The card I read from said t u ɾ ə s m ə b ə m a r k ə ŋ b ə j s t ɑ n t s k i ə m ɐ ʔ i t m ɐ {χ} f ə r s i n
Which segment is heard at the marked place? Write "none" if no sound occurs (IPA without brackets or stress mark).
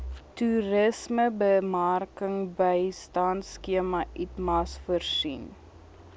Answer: s